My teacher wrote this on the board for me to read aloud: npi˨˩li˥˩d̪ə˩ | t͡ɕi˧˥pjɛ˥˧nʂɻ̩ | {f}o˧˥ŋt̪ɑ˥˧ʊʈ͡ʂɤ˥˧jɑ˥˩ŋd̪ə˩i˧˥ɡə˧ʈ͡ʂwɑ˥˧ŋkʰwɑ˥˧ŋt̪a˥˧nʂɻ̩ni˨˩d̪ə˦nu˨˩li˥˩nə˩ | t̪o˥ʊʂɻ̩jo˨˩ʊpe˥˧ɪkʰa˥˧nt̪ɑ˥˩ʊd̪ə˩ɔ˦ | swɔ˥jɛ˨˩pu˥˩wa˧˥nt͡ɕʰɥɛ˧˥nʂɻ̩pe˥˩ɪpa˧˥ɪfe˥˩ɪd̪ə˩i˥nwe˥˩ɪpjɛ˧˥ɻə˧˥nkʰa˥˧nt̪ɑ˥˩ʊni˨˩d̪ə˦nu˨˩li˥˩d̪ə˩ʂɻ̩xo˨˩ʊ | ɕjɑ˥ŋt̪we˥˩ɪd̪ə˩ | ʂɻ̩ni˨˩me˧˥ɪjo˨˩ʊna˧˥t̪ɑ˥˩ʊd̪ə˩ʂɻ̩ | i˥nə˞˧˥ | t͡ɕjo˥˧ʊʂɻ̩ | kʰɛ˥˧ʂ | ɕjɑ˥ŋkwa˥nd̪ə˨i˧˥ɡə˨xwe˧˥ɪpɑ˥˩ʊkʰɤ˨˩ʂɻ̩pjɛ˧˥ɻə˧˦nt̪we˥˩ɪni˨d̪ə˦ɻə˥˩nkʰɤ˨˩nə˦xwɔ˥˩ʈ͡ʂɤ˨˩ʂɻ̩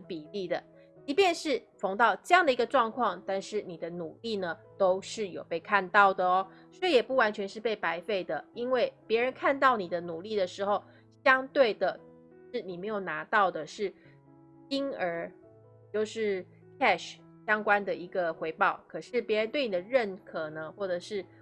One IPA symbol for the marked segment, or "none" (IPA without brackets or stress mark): f